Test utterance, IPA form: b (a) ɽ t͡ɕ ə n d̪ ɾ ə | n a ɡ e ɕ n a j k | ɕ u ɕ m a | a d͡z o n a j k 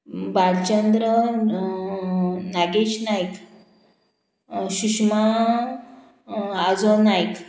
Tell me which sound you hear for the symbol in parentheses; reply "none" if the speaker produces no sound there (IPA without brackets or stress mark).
a